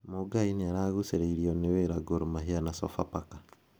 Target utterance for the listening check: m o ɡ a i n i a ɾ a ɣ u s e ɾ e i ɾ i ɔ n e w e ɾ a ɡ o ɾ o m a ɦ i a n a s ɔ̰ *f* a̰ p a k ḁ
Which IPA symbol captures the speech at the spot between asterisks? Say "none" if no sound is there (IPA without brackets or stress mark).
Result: f